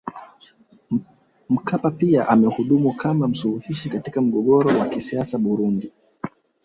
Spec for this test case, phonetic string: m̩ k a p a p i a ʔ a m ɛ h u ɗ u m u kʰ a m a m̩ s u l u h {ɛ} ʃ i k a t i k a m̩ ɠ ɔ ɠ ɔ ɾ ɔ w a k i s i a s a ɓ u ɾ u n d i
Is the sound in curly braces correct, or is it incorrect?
incorrect: i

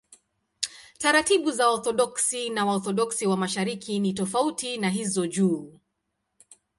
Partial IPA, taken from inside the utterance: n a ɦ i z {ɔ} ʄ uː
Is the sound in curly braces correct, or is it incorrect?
correct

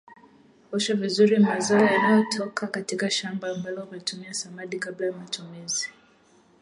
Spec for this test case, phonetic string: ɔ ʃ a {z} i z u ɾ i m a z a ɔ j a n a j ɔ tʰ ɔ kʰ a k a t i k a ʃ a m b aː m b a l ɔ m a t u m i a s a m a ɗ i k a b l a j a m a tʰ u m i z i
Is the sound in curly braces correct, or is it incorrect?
incorrect: v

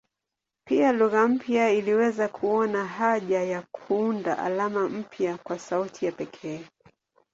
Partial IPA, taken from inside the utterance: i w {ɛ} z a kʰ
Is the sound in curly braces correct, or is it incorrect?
correct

